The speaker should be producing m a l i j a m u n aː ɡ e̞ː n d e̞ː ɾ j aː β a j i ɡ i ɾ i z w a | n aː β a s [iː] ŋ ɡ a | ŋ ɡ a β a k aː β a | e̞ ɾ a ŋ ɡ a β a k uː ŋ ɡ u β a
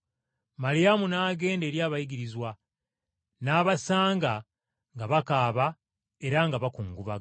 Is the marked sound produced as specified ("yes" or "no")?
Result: no